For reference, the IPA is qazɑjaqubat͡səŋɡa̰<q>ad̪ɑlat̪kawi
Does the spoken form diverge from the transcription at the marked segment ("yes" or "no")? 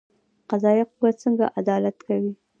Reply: yes